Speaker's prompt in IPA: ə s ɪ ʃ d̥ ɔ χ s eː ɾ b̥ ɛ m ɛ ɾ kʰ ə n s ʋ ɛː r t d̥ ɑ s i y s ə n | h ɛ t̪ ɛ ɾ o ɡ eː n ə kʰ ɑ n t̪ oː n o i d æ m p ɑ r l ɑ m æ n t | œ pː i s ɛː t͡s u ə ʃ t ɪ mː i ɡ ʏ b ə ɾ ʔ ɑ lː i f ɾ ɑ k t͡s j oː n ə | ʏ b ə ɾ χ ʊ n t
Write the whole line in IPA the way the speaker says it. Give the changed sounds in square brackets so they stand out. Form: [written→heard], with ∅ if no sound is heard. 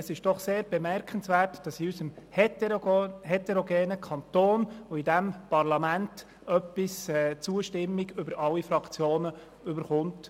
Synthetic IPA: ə s ɪ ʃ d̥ ɔ χ s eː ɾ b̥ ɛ m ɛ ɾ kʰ ə n s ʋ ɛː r t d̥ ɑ s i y s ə [n→m] | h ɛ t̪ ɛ ɾ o ɡ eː n ə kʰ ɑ n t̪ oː n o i d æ m p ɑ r l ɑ m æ n t | œ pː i s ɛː t͡s u ə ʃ t ɪ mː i ɡ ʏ b ə ɾ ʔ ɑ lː i f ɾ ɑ k t͡s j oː n ə | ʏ b ə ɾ χ ʊ n t

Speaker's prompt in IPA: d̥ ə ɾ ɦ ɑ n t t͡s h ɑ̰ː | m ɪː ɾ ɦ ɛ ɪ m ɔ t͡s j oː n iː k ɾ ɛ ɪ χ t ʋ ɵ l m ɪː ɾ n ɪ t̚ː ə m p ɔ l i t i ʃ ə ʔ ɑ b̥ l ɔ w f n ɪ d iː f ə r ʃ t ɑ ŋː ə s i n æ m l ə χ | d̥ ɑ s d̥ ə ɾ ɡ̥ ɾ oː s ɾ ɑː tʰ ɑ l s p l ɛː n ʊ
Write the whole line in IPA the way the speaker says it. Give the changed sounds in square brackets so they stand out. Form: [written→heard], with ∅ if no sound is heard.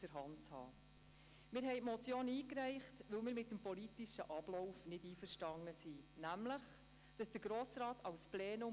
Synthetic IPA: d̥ ə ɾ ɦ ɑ n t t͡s h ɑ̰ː | m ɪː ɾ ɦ ɛ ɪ m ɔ t͡s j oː n iː k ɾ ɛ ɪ χ t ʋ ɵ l m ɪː ɾ [n→m] ɪ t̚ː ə m p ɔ l i t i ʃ ə ʔ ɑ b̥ l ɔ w f n ɪ d iː f ə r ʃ t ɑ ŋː ə s i n æ m l ə χ | d̥ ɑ s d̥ ə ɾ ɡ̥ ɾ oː s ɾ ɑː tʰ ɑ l s p l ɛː n ʊ

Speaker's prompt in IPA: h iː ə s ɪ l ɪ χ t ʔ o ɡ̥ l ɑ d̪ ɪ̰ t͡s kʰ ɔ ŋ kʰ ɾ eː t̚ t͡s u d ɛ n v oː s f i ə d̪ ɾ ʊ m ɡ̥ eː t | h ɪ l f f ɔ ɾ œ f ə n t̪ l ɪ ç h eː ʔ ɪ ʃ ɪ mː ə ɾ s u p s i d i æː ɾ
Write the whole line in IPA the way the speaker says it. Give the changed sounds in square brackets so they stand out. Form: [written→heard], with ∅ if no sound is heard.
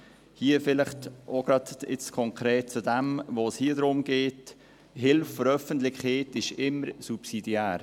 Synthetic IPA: h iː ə [s→f] ɪ l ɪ χ t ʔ o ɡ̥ [l→ɾ] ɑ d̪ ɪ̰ t͡s kʰ ɔ ŋ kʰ ɾ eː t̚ t͡s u d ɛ [n→m] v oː s [f→h] i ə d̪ ɾ ʊ m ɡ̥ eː t | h ɪ l f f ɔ ɾ œ f ə n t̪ l ɪ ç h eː [ʔ→t] ɪ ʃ ɪ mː ə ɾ s u p s i d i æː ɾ

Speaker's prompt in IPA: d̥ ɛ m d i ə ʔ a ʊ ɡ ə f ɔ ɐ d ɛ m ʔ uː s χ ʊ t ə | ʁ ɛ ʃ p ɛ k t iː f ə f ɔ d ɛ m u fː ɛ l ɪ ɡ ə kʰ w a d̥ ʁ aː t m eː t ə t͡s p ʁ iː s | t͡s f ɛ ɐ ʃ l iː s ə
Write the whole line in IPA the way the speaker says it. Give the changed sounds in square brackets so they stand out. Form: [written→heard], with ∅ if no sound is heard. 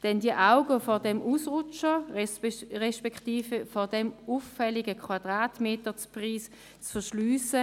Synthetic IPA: d̥ ɛ [m→n] d i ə ʔ a ʊ ɡ ə f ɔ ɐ d ɛ m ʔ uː s [χ→ʁ] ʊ [t→t͡ʃ] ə | ʁ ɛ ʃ p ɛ k t iː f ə f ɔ d ɛ m u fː ɛ l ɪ ɡ ə kʰ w a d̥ ʁ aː t m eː t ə t͡s p ʁ iː s | t͡s f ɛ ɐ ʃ l [iː→yː] s ə

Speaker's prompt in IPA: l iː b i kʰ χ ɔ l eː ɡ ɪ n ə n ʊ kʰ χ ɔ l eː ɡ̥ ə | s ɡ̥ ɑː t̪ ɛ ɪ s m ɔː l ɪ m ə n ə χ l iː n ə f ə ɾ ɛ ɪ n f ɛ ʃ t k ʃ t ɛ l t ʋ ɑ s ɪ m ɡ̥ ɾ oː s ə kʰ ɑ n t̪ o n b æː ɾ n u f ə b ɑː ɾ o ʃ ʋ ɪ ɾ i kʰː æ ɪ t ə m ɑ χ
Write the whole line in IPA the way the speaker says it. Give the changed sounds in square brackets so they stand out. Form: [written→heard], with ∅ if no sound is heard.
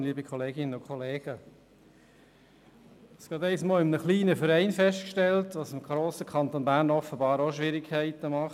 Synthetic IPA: l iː b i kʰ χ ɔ l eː ɡ ɪ n ə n ʊ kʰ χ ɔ l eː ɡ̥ ə | s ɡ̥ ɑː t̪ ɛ ɪ s m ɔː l ɪ m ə n ə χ l iː n ə f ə ɾ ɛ ɪ n f ɛ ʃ t k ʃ t ɛ l t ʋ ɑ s ɪ m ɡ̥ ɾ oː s ə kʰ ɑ n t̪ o n b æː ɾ n [u→ɔ] f ə b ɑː ɾ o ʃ ʋ ɪ ɾ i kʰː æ ɪ t ə m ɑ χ

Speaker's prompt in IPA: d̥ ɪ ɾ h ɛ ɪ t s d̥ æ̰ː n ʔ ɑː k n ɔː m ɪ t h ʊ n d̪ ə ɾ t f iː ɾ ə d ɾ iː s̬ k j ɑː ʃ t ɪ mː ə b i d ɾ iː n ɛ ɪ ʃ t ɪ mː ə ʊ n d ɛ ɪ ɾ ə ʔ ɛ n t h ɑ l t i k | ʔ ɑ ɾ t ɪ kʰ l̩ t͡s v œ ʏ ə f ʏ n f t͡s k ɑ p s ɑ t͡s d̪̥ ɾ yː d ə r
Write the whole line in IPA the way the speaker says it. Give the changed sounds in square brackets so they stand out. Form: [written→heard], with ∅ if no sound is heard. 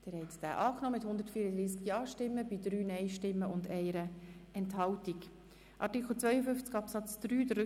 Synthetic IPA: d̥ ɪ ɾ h ɛ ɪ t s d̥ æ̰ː [n→∅] ʔ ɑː k n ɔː m ɪ t h ʊ n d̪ ə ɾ t f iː ɾ ə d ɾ iː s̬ k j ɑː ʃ t ɪ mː ə b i d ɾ [iː→yː] n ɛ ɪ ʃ t ɪ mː ə ʊ n d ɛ ɪ ɾ ə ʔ ɛ n t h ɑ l t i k | ʔ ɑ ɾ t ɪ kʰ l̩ t͡s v œ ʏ ə f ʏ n f t͡s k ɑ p s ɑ t͡s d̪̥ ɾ yː d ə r

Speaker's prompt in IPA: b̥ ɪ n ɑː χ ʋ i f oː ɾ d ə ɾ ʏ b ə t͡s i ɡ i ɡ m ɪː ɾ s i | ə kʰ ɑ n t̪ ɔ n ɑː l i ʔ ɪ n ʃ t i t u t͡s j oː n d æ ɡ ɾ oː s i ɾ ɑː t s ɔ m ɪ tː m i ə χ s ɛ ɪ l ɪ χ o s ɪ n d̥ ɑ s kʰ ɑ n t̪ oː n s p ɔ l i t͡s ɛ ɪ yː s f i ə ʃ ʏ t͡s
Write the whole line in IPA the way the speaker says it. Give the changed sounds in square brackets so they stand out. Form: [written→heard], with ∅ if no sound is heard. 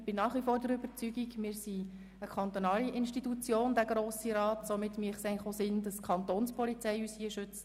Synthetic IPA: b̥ ɪ n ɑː χ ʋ i f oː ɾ d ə ɾ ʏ b ə t͡s [i→y] ɡ i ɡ m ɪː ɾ s i | ə kʰ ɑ n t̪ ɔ n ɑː l i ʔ ɪ n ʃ t i t u t͡s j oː n d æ ɡ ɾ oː s i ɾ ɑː t s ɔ m ɪ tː m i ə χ s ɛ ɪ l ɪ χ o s ɪ n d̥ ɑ s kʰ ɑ n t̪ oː n s p ɔ l i t͡s ɛ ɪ yː s [f→h] i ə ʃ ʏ t͡s

